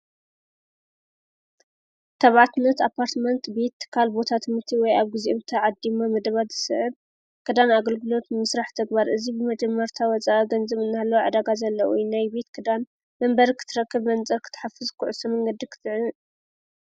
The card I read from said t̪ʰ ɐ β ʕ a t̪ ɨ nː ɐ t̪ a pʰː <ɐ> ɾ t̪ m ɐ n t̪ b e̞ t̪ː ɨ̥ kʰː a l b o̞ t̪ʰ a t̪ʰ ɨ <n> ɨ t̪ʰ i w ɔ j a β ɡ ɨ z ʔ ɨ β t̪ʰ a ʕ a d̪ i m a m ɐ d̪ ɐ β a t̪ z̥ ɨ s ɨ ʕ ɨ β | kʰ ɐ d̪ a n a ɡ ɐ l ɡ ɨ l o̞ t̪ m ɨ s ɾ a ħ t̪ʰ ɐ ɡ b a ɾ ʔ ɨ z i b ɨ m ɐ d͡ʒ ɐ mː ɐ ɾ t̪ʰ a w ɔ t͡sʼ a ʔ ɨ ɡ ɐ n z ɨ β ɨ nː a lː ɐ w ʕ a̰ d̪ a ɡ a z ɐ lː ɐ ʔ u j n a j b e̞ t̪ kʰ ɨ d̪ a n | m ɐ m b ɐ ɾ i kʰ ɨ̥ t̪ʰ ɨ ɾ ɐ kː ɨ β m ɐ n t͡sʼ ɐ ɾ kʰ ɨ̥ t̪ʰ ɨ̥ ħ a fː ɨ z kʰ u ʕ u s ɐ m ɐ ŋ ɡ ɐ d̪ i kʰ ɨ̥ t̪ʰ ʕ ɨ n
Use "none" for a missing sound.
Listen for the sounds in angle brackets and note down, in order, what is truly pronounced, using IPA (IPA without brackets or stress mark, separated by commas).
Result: a, m